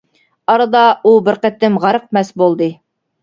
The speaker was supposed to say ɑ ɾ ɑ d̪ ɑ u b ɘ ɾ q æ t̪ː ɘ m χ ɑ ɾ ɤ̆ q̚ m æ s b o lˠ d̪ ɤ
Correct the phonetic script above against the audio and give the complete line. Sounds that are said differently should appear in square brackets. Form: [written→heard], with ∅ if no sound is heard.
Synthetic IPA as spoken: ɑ ɾ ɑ d̪ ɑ u b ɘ ɾ q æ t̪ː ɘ m [χ→ʁ] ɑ ɾ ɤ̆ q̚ m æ s b o lˠ d̪ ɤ